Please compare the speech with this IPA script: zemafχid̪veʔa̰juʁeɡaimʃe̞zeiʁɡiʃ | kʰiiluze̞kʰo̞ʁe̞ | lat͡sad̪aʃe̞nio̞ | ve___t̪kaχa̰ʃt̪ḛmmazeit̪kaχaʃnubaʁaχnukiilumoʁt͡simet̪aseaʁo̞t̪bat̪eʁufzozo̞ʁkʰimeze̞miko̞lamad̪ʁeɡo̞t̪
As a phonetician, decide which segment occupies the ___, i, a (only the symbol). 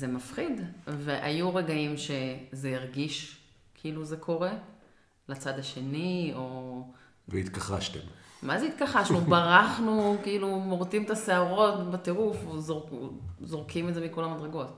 i